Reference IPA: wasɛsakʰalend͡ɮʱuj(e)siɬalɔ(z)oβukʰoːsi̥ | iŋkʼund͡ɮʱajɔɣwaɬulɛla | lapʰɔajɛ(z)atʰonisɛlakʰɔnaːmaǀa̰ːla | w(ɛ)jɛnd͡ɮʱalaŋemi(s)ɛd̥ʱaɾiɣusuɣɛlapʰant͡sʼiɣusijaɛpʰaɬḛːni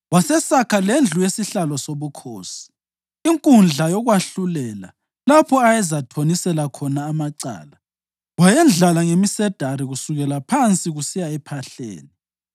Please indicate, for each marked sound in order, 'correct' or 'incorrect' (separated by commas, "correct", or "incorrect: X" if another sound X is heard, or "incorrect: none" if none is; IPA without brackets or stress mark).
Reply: correct, incorrect: s, correct, incorrect: a, correct